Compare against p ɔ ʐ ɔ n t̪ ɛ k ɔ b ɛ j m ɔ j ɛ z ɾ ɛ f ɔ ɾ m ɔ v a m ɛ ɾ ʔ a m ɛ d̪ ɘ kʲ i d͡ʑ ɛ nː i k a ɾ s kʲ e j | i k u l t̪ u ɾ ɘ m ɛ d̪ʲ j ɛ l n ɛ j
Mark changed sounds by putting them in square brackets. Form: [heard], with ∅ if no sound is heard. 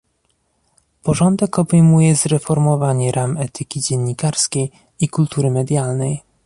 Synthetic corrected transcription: p ɔ ʐ ɔ n [d̪] ɛ k ɔ b ɛ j m [u] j ɛ z ɾ ɛ f ɔ ɾ m ɔ v a [ɲ] ɛ ɾ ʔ a m ɛ [t̪] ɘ kʲ i d͡ʑ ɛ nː i k a ɾ s kʲ e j | i k u l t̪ u ɾ ɘ m ɛ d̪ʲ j [a] l n ɛ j